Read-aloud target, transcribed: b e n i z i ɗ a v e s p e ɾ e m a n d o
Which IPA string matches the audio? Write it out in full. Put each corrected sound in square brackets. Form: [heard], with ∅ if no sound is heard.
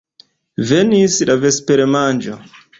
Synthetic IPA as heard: [v] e n i [s] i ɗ a v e s p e ɾ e m a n [d͡ʒ] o